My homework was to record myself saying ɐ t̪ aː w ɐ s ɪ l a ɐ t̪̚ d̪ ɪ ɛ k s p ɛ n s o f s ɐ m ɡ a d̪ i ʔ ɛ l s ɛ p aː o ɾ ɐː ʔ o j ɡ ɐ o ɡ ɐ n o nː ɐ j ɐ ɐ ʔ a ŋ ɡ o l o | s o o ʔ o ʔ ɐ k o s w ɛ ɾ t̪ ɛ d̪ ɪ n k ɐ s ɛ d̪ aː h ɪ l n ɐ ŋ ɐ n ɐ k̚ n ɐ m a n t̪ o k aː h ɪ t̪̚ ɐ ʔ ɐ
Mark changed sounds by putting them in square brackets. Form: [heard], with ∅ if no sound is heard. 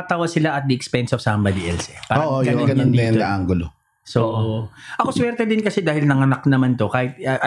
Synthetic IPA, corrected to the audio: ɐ t̪ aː w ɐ s ɪ l a ɐ t̪̚ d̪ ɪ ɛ k s p ɛ n s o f s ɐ m [b] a d̪ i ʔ ɛ l s ɛ p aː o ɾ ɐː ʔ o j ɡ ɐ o ɡ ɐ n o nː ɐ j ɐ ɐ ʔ a ŋ ɡ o l o | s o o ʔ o ʔ ɐ k o s w ɛ ɾ t̪ ɛ d̪ ɪ n k ɐ s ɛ d̪ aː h ɪ l n ɐ ŋ ɐ n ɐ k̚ n ɐ m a n t̪ o k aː h ɪ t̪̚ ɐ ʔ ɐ